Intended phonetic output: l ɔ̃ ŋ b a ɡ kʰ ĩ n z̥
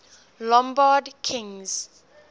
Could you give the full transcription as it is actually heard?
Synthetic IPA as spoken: l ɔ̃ m b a d kʰ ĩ ŋ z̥

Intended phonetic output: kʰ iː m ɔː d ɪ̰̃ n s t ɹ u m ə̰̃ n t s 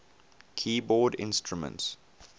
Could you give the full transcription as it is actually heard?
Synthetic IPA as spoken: kʰ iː b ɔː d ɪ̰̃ n s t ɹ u m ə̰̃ n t s

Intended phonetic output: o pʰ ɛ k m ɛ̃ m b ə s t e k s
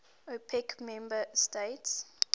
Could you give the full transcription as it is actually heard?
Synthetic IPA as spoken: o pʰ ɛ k m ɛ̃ m b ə s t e t s

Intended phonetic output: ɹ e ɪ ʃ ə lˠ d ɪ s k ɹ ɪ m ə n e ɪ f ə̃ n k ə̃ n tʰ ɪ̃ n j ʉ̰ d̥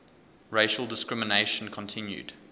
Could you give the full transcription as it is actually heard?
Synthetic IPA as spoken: ɹ e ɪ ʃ ə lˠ d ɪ s k ɹ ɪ m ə n e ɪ ʃ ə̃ n kʰ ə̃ n tʰ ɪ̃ n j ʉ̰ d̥

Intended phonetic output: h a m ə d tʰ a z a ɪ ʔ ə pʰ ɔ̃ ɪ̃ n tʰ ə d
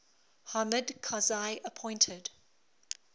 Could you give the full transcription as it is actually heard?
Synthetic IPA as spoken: h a m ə d kʰ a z a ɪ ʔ ə pʰ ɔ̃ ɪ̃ n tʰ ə d

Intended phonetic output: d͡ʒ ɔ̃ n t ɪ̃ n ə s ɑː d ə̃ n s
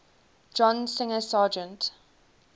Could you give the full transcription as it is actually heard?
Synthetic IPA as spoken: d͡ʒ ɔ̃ n s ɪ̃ ŋ ə s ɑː d͡ʒ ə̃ n t

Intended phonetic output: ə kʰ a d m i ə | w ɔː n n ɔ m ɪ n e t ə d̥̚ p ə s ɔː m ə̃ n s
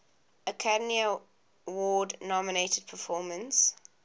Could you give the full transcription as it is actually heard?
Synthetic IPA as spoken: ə kʰ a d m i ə | w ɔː d n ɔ m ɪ n e t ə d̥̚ pʰ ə f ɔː m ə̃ n s

